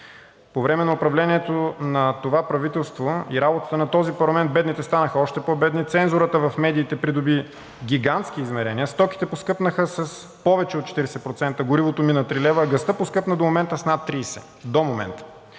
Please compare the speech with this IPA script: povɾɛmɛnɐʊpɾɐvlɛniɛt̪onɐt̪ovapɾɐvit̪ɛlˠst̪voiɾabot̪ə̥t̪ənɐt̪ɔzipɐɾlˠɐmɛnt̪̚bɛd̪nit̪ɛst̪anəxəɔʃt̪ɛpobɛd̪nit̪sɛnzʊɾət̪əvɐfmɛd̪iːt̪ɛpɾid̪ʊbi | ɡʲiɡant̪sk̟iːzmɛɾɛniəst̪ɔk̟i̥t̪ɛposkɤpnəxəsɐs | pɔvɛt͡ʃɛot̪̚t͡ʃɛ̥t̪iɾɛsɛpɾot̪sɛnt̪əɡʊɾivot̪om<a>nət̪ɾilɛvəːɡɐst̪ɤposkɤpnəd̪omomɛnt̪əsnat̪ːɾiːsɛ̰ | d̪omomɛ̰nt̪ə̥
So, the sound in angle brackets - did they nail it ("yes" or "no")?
no